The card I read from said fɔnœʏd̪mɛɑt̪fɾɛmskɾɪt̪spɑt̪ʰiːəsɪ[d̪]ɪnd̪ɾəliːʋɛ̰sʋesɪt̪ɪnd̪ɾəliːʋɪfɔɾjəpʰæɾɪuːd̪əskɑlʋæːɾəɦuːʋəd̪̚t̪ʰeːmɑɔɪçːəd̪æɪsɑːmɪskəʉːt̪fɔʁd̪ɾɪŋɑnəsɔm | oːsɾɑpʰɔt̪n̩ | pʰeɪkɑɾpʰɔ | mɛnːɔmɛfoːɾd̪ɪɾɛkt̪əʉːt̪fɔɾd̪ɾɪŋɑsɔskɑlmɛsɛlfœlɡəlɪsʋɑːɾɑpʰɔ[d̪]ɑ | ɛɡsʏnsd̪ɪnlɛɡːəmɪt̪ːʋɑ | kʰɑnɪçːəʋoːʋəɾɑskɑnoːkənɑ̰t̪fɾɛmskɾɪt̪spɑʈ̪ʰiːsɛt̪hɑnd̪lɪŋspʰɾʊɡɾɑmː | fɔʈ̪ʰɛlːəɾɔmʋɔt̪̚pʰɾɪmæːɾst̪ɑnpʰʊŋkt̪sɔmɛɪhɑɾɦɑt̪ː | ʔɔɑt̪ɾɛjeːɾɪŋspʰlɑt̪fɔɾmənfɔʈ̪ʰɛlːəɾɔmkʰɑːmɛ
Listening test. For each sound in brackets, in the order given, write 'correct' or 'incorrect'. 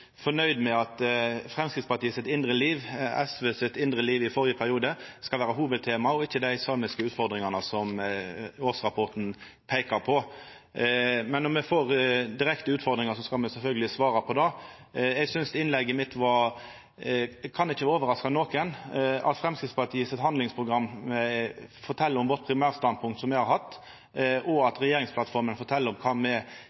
incorrect: t̪, correct

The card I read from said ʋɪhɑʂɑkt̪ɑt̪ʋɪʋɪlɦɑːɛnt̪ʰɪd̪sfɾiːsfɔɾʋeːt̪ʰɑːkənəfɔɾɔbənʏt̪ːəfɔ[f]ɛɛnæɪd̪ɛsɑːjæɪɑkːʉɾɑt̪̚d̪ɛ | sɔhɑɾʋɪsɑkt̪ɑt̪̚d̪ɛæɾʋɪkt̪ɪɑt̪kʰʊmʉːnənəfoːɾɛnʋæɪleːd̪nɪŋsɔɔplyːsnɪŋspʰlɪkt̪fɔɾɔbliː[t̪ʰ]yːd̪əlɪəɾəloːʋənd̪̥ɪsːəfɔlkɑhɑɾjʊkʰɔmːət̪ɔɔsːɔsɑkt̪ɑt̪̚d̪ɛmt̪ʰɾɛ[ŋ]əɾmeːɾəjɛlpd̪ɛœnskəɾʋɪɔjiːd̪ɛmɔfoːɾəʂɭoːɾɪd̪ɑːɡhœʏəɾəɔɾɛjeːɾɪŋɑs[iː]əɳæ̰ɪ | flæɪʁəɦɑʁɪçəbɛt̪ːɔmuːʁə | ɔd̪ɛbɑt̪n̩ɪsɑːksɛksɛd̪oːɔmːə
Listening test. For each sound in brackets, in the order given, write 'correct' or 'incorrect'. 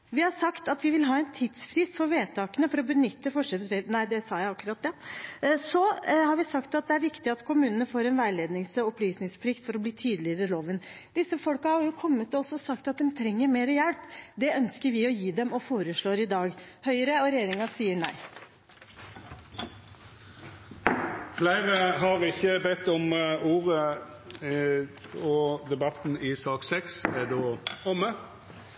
incorrect: ʂ, correct, incorrect: ŋː, correct

